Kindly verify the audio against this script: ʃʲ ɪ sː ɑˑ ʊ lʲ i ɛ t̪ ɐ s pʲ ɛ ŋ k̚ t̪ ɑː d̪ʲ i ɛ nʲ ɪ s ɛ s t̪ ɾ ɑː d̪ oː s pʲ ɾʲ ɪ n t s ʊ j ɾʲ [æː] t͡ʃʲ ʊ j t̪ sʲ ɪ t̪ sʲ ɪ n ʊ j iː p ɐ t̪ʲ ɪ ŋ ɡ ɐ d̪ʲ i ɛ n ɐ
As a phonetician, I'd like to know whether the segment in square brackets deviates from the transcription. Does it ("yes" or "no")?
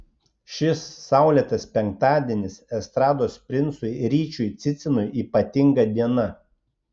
yes